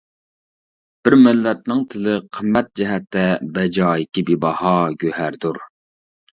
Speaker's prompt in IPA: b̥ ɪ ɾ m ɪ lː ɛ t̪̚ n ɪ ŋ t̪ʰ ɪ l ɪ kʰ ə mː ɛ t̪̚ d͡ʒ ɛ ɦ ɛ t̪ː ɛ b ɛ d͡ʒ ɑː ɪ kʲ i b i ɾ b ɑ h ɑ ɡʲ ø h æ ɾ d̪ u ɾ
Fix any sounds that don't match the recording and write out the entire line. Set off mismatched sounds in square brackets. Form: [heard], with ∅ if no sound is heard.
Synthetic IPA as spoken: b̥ ɪ ɾ m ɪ lː ɛ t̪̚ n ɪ ŋ t̪ʰ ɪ l ɪ [qʰ] ə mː ɛ t̪̚ d͡ʒ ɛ ɦ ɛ t̪ː ɛ b ɛ d͡ʒ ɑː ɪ kʲ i b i [∅] b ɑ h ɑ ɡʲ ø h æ ɾ d̪ u ɾ